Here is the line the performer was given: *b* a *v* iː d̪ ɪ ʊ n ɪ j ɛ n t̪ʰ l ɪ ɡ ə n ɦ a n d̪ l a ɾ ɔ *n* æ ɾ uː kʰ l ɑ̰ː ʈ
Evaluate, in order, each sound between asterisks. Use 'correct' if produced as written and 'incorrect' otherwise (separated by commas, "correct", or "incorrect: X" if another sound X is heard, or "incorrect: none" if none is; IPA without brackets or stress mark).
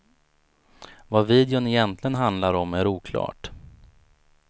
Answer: incorrect: v, correct, incorrect: m